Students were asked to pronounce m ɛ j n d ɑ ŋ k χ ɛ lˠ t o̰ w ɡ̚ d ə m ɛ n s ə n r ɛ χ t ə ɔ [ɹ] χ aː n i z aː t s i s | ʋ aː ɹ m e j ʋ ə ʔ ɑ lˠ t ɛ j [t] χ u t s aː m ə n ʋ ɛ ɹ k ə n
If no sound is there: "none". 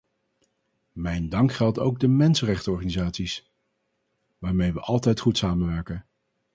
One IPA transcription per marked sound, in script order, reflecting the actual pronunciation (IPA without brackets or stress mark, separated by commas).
ɹ, t